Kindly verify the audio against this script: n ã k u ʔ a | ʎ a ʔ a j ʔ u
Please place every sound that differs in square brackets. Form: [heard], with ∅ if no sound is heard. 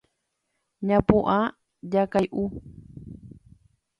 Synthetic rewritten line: [ɲ] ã [p] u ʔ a | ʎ a [k] a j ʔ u